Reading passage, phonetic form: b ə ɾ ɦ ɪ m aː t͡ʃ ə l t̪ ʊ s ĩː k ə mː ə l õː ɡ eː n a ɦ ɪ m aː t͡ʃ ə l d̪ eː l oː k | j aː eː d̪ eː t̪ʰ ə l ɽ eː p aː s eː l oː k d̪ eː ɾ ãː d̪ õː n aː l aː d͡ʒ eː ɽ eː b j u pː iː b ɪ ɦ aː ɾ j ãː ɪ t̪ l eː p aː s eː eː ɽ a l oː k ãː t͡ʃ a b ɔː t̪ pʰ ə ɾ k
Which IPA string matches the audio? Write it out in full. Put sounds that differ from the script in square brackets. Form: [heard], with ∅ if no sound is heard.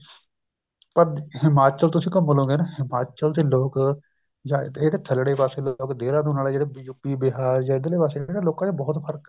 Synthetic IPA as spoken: [p] ə ɾ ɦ ɪ m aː t͡ʃ ə l t̪ ʊ s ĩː k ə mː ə l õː ɡ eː n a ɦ ɪ m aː t͡ʃ ə l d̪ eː l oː k | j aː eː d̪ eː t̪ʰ ə l ɽ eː p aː s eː l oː k d̪ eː ɾ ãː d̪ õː n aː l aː d͡ʒ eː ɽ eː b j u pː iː b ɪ ɦ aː ɾ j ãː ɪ [d̪] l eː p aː s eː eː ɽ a l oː k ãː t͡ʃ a b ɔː t̪ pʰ ə ɾ k